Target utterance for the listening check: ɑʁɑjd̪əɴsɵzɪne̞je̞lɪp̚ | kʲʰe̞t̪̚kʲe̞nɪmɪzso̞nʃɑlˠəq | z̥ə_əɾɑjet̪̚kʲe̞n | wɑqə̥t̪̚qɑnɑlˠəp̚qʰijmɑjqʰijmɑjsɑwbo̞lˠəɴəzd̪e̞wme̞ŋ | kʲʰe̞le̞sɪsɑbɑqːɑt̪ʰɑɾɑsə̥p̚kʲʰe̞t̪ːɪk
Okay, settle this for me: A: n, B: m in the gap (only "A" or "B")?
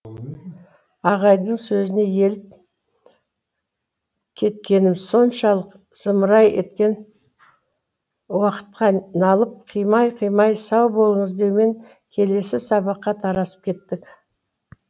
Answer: B